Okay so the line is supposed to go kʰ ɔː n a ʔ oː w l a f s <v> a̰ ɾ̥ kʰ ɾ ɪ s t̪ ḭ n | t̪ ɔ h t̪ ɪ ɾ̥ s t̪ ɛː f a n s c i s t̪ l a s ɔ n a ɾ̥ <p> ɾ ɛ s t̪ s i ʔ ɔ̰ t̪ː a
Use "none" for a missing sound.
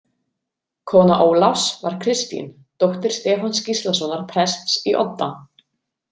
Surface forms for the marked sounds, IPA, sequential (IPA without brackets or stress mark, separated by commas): v, pʰ